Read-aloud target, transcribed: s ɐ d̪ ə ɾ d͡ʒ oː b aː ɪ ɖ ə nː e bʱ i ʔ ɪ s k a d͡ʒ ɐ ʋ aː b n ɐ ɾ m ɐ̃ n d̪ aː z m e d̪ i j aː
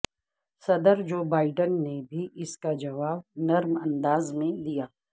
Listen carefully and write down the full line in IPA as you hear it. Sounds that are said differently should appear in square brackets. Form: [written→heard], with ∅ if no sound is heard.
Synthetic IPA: s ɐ d̪ ə ɾ d͡ʒ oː b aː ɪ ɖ ə nː e bʱ i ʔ ɪ s k a d͡ʒ ɐ ʋ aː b n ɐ ɾ m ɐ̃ n d̪ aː z m [e→ẽ] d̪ i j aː